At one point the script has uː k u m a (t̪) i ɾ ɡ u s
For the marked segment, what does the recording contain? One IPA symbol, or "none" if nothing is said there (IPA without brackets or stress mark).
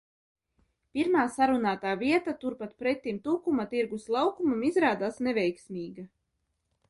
t̪